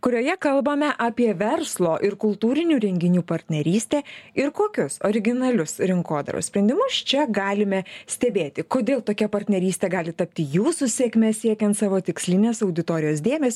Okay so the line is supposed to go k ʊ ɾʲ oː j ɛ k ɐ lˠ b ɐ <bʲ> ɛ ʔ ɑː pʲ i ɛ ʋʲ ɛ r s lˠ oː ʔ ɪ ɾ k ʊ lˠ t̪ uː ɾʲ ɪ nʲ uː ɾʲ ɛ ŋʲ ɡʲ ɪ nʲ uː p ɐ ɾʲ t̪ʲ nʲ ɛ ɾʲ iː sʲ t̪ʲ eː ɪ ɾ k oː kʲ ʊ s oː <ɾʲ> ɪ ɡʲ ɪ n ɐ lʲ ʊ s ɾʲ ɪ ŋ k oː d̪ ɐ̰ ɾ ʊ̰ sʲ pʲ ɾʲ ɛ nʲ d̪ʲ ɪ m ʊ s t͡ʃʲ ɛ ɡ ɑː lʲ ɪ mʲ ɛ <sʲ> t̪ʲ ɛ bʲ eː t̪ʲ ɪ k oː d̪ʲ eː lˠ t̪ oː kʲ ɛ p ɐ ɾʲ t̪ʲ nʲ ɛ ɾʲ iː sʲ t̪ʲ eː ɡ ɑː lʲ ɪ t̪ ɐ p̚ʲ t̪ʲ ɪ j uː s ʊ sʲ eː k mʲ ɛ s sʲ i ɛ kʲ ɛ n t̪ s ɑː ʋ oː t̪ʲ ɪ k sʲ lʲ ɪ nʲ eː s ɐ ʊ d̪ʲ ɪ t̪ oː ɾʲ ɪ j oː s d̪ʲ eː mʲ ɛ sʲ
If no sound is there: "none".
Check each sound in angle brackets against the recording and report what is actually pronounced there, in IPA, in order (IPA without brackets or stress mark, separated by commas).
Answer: mʲ, ɾʲ, sʲ